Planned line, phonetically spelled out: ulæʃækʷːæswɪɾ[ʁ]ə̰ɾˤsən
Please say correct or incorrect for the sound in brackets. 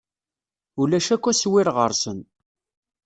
correct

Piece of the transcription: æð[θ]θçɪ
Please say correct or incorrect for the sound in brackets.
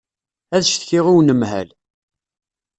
incorrect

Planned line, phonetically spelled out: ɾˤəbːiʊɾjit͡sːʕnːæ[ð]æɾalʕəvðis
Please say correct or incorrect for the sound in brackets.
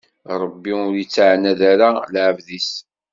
correct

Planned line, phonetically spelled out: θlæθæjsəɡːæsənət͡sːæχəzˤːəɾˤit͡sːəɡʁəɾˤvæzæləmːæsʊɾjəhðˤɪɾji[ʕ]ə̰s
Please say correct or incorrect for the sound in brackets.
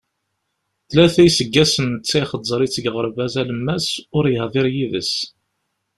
incorrect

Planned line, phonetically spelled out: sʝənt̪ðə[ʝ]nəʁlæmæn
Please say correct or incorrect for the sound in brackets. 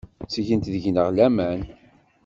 correct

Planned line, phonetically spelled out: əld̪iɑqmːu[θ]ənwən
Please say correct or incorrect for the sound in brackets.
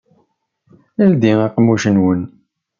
incorrect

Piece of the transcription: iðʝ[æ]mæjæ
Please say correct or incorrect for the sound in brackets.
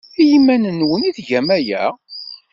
correct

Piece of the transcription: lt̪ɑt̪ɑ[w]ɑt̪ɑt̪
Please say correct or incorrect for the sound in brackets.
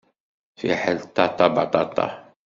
incorrect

